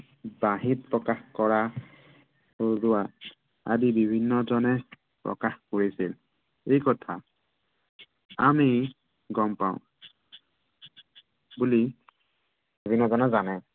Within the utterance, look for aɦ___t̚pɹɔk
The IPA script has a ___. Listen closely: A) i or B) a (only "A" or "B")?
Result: A